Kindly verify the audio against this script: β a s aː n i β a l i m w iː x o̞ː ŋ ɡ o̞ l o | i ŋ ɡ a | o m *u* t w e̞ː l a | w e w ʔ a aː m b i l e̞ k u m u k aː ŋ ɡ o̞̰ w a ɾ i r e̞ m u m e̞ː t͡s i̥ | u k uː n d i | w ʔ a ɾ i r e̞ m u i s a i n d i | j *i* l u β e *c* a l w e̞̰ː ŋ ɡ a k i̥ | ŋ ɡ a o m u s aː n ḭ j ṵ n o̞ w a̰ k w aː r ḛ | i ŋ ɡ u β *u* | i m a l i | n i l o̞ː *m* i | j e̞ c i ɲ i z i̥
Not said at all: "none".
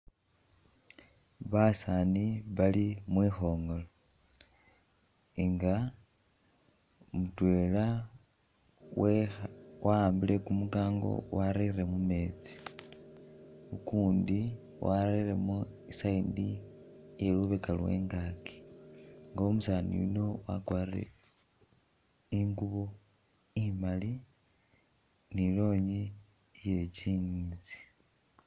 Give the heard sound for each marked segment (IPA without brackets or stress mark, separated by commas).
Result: u, e, k, o, ɲ